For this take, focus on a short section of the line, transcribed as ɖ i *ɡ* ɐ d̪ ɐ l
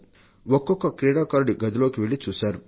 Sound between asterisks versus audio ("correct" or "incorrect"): correct